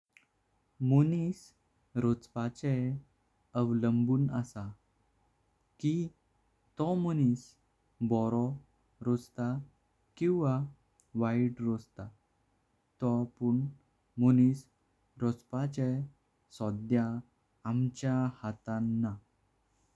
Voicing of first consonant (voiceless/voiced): voiced